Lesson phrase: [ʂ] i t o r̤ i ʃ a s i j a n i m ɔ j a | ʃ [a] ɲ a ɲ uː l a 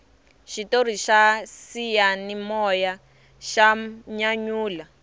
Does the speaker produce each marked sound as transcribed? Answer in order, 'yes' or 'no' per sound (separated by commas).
no, yes